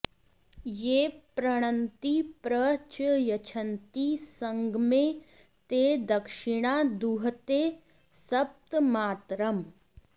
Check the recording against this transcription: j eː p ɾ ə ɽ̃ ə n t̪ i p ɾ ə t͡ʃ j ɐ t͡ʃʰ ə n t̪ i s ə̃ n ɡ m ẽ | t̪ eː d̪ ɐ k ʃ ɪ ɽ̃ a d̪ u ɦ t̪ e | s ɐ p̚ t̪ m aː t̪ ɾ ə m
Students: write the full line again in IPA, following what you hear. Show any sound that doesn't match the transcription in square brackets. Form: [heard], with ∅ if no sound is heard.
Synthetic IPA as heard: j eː p ɾ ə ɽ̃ ə n t̪ i p ɾ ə t͡ʃ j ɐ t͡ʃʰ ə n t̪ i s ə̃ [ŋ] ɡ m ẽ | t̪ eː d̪ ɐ k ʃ ɪ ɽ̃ a d̪ u ɦ t̪ e | s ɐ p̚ t̪ m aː t̪ ɾ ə m